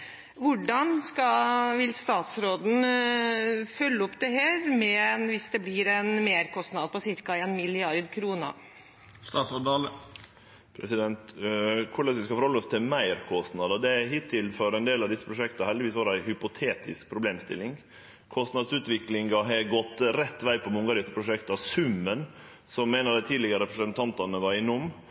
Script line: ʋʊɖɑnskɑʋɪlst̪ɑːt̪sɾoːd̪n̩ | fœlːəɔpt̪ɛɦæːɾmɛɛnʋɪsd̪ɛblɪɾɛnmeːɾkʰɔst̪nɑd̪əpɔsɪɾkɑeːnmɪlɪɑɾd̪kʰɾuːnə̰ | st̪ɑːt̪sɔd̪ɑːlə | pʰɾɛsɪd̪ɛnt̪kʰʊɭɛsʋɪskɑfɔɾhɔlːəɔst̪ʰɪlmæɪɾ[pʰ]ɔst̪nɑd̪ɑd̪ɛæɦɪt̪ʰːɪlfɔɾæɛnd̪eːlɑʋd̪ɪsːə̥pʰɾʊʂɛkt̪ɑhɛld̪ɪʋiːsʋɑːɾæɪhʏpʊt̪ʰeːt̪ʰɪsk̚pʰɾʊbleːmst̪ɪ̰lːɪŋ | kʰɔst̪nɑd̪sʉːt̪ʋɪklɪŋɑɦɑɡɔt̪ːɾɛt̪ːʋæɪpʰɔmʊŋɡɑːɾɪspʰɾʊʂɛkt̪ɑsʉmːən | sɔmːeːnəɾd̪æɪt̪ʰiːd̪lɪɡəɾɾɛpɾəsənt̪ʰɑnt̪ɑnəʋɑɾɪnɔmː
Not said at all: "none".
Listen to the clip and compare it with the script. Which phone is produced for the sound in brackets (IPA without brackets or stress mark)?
kʰ